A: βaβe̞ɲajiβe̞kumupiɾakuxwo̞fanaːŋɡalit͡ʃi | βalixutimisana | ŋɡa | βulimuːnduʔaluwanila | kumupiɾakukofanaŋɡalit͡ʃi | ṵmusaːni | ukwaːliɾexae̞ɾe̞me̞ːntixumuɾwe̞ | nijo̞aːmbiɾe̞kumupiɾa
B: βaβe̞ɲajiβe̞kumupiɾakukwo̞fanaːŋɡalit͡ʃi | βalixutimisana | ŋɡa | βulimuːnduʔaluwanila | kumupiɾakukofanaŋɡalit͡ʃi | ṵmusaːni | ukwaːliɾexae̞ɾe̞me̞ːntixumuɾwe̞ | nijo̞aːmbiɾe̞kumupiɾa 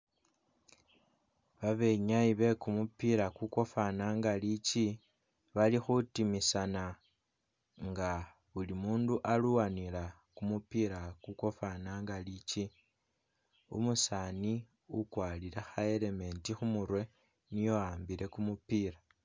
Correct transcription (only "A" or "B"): B